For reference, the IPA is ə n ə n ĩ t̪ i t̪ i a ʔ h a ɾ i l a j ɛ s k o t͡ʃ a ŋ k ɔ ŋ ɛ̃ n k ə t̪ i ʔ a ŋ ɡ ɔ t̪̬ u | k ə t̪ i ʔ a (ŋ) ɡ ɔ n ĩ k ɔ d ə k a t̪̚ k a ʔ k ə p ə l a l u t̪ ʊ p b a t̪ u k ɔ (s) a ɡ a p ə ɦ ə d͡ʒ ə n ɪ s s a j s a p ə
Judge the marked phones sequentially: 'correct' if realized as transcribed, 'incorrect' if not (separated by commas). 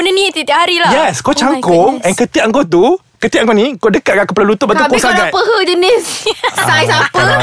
correct, correct